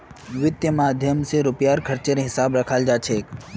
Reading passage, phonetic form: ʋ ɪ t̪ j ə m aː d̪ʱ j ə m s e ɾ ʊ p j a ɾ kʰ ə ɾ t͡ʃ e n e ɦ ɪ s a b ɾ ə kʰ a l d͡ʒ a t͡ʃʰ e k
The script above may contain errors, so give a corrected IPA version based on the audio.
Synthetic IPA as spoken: ʋ ɪ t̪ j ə m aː d̪ʱ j ə m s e ɾ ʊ p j a ɾ kʰ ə ɾ t͡ʃ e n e ɦ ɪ s a b ɾ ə kʰ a l d͡ʒ a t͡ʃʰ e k

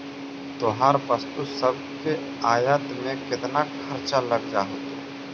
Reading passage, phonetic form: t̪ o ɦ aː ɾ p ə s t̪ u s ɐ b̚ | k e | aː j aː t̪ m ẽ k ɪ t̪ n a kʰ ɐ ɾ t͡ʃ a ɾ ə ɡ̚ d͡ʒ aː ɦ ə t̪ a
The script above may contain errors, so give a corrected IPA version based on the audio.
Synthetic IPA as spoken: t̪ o ɦ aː ɾ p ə s t̪ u s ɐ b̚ | k e | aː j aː t̪ m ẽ k ɪ t̪ n a kʰ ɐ ɾ t͡ʃ a l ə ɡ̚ d͡ʒ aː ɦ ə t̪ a

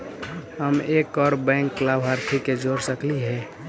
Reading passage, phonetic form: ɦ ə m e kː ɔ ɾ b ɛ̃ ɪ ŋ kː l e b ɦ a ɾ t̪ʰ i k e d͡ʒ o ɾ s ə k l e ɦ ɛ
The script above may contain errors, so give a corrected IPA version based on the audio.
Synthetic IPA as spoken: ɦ ə m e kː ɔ ɾ b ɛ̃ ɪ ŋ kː l a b ɦ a ɾ t̪ʰ i k e d͡ʒ o ɾ s ə k l i ɦ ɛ

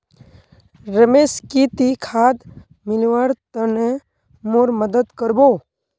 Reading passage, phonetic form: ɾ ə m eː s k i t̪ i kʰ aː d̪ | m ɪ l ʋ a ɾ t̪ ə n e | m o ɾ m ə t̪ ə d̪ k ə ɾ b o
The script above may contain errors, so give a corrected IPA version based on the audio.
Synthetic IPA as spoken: ɾ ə m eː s k i t̪ i kʰ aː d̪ | m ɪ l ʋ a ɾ t̪ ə n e | m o ɾ m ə d̪ ə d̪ k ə ɾ b o

